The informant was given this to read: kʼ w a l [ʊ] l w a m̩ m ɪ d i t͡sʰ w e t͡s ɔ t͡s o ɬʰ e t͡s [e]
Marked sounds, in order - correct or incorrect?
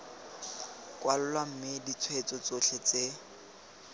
correct, correct

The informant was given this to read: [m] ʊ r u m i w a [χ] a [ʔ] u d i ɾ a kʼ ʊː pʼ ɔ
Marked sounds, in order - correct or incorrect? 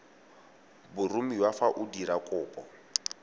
incorrect: b, incorrect: f, correct

